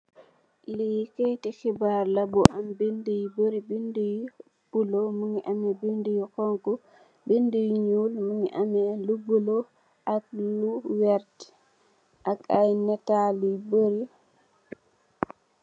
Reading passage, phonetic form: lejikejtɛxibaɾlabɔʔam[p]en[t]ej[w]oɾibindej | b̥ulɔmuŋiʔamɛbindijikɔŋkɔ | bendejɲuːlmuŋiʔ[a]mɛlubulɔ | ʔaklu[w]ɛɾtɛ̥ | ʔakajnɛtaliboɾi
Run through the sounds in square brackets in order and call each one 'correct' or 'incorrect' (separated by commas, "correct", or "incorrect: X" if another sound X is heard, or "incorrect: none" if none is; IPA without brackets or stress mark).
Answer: incorrect: b, incorrect: d, incorrect: b, correct, correct